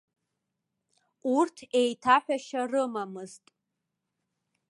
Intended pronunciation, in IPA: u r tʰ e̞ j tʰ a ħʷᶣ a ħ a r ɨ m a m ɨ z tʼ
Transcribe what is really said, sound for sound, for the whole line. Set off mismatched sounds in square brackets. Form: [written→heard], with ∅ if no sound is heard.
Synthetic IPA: u r tʰ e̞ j tʰ a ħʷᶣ a [ħ→ʃ] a r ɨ m a m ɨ z tʼ